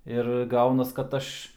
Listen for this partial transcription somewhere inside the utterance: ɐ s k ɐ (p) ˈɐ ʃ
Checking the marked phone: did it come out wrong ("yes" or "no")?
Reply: yes